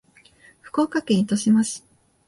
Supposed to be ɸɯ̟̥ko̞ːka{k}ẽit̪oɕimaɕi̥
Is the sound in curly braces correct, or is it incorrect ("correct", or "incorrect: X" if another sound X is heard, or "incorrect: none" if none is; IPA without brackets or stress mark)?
correct